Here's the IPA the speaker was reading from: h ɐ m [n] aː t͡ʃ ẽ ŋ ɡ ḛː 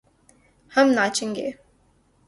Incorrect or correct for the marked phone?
correct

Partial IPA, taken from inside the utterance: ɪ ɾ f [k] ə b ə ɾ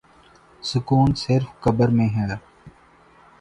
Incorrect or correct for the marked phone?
correct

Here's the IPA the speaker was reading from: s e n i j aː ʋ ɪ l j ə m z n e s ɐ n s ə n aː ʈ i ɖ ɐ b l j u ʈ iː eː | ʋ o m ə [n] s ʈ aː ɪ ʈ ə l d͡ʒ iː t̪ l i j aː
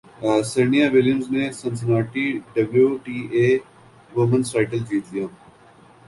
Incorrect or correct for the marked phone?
correct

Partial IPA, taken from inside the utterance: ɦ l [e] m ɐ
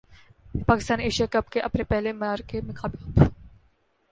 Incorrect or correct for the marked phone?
correct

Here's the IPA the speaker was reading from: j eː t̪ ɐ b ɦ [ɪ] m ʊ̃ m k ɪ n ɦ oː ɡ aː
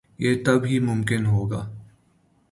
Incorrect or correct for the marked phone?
incorrect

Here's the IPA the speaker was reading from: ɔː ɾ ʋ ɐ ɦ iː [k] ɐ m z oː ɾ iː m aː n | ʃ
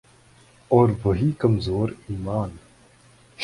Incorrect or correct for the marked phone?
correct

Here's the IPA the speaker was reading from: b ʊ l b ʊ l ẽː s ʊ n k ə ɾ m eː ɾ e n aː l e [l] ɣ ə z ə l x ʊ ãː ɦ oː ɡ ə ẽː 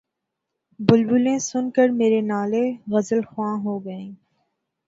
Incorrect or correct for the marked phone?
incorrect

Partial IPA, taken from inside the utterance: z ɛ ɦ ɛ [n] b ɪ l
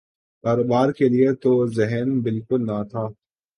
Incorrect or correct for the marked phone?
correct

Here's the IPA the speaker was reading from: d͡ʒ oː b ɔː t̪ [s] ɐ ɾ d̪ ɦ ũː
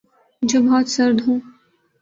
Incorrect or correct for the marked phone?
correct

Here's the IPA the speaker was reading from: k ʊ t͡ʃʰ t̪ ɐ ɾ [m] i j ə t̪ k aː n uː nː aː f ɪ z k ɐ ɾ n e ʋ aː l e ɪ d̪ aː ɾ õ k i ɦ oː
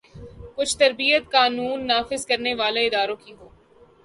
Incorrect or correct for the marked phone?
incorrect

